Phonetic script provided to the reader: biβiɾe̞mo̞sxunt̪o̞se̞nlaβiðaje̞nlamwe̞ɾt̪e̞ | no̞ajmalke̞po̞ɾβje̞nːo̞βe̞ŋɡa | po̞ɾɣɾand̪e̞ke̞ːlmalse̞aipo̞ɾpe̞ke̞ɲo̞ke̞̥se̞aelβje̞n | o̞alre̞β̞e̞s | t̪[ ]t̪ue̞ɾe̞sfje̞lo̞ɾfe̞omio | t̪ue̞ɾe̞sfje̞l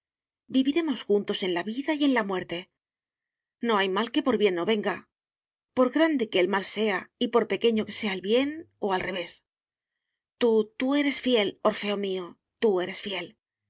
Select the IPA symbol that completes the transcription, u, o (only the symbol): u